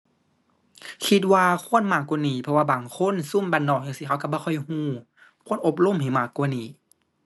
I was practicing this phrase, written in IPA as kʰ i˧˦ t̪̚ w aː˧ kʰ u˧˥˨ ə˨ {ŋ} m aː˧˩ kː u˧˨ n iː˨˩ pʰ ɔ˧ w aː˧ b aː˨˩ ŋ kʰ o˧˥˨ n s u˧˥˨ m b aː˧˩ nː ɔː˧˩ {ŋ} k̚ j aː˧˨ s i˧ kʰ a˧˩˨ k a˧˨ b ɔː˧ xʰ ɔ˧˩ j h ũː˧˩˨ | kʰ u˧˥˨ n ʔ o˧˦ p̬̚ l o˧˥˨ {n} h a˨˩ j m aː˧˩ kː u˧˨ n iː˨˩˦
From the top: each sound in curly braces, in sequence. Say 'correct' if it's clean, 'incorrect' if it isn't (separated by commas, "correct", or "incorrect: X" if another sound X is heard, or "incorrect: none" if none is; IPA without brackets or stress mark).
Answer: incorrect: n, incorrect: none, incorrect: m